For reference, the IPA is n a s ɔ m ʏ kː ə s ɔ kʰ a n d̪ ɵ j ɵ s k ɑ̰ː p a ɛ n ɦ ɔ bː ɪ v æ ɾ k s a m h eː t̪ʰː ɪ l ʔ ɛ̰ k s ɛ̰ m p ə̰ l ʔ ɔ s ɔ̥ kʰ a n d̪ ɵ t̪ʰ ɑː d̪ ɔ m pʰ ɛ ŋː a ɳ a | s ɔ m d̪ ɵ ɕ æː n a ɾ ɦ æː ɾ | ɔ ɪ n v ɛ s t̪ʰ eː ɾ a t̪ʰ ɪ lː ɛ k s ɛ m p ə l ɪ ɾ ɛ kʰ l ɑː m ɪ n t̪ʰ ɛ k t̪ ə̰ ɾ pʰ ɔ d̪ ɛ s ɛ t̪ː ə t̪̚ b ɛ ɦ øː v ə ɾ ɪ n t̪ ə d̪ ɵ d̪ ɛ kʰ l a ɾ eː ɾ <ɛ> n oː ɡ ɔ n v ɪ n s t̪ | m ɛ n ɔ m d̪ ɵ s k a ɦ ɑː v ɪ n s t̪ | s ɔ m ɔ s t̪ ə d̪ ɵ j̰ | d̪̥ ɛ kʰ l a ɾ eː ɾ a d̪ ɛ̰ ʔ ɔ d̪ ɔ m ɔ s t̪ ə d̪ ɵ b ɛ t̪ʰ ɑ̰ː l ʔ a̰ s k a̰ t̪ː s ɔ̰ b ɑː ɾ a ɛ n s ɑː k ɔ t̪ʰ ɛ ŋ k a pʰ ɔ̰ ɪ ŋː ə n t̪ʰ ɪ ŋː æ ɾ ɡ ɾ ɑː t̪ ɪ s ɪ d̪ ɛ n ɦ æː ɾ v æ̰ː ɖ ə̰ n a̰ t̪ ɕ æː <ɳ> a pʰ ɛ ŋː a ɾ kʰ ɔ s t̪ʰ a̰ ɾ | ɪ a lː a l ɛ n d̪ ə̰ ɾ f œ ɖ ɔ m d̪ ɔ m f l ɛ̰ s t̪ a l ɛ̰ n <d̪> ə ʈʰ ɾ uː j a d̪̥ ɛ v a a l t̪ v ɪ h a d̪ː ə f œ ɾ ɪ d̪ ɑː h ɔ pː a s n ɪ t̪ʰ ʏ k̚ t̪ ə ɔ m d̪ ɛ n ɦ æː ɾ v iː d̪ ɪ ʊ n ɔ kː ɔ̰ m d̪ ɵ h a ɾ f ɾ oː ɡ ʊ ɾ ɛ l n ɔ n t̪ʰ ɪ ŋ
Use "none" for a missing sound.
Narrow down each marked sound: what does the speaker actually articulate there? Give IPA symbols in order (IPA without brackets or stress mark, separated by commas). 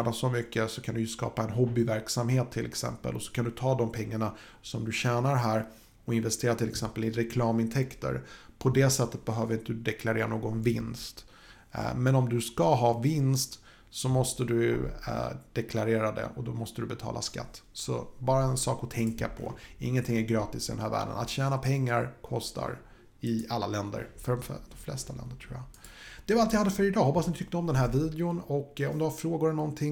a, n, d̪